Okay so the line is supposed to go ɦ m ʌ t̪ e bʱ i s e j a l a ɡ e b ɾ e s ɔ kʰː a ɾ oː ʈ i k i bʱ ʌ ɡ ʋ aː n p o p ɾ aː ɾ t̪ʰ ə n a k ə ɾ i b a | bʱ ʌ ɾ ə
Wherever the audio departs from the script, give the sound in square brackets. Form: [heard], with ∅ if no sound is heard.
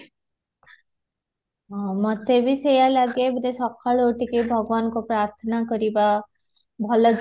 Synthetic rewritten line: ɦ m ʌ t̪ e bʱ i s e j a l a ɡ e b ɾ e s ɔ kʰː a [ɭ] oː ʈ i k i bʱ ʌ ɡ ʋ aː n [k] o p ɾ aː ɾ t̪ʰ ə n a k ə ɾ i b a | bʱ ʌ [l] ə